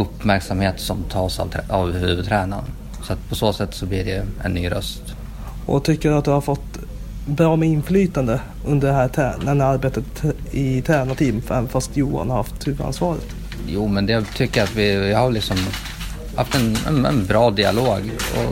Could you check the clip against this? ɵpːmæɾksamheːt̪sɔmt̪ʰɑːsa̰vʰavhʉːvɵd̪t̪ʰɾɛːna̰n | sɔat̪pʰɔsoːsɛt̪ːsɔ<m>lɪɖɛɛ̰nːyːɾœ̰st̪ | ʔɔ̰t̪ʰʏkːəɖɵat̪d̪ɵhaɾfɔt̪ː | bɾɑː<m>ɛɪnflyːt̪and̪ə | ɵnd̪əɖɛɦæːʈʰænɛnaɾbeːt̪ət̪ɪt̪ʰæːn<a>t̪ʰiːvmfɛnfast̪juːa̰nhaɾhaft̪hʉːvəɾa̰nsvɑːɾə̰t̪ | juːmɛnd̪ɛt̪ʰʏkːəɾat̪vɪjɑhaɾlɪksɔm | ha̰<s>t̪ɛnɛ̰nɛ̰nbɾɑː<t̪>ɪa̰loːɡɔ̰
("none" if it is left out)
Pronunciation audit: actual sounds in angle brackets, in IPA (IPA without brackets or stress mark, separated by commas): b, m, a, f, d̪